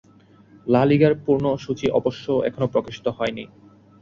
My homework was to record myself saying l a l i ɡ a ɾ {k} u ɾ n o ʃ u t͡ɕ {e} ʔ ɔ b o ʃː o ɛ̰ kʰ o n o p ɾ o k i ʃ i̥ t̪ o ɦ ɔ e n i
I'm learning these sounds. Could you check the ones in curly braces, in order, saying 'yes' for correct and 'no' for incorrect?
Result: no, no

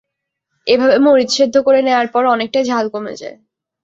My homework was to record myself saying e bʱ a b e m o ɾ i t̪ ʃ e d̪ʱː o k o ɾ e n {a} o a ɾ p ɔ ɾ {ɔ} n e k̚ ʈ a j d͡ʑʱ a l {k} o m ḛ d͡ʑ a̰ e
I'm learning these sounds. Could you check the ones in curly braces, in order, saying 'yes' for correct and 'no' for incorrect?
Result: no, yes, yes

